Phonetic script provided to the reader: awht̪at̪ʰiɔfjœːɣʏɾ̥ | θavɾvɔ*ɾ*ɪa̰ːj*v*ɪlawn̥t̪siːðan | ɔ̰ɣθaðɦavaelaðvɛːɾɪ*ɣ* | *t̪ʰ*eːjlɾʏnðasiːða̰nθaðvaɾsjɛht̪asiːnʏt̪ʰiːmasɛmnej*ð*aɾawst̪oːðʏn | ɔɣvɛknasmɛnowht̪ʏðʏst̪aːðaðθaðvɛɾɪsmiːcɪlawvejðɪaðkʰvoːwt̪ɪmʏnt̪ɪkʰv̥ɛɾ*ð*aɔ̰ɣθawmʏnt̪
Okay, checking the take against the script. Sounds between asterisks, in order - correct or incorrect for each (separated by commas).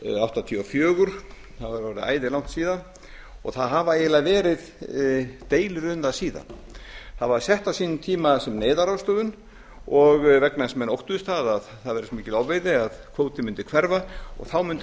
correct, incorrect, incorrect, incorrect, correct, incorrect